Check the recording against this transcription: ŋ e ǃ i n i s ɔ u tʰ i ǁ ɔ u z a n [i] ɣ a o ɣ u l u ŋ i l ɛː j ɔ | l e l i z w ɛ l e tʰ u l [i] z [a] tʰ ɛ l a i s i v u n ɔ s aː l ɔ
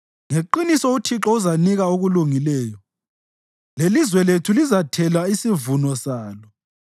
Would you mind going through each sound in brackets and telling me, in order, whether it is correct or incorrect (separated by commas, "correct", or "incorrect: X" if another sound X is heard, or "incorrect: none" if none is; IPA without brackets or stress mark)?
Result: correct, correct, correct